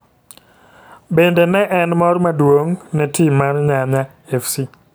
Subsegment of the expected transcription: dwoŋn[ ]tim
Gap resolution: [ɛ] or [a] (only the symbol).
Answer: ɛ